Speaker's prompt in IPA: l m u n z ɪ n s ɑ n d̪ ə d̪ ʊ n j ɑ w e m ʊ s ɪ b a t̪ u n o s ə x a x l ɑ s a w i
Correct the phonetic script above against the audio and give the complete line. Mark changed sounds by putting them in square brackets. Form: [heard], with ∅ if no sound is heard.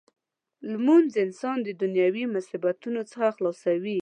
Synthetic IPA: l m u n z ɪ n s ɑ n d̪ ə d̪ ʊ n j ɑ w [i] m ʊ s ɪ b a t̪ u n o [t͡s] ə x a x l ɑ s a w i